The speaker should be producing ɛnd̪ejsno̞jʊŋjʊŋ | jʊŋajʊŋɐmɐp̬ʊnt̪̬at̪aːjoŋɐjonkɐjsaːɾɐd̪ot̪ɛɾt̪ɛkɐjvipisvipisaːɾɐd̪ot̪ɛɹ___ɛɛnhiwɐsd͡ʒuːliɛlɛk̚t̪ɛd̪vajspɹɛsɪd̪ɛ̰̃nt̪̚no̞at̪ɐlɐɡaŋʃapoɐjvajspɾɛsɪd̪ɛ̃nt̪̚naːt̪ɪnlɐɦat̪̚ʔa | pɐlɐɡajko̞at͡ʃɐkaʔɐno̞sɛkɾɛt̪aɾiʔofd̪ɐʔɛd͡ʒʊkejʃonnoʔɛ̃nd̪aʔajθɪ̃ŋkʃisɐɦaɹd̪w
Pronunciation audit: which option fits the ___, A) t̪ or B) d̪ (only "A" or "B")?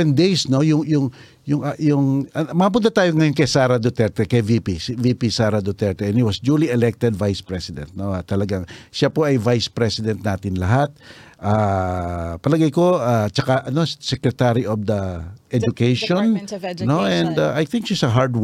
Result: A